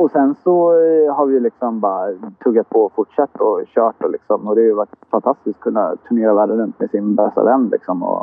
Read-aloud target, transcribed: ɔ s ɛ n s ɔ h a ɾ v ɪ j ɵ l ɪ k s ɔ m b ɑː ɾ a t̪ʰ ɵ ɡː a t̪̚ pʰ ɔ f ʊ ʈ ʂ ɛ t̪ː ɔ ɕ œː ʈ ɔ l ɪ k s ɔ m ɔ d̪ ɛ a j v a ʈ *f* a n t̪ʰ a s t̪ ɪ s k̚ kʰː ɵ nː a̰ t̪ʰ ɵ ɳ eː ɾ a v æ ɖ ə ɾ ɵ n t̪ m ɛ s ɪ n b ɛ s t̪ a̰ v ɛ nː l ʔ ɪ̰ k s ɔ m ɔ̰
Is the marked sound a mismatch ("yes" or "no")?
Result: no